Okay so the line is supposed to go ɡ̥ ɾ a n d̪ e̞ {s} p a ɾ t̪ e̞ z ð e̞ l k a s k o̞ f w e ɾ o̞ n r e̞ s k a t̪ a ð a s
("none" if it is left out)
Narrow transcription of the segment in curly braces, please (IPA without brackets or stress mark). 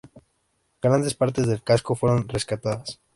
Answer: s